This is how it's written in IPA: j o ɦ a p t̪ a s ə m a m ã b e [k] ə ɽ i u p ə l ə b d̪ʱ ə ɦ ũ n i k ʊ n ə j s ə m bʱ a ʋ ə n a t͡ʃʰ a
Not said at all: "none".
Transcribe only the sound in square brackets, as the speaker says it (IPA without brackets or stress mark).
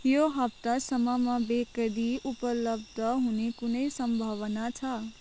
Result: k